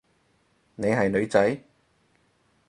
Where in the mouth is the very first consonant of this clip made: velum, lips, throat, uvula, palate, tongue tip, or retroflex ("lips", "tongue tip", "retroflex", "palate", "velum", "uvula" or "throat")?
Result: tongue tip